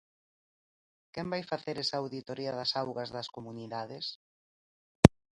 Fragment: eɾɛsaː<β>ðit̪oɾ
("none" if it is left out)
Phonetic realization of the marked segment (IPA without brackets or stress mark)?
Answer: w